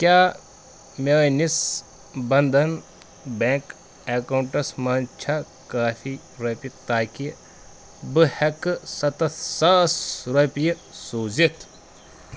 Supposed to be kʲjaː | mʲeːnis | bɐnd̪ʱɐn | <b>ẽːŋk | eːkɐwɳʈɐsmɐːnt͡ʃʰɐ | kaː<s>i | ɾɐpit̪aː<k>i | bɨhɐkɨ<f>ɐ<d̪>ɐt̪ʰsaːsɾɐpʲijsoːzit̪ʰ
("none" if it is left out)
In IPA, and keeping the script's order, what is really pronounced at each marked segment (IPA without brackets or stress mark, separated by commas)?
b, f, k, s, t̪